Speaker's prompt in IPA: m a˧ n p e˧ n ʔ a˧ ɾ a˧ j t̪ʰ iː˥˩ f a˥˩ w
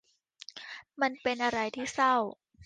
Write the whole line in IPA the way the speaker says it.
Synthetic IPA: m a˧ n p e˧ n ʔ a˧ ɾ a˧ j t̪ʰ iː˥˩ s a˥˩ w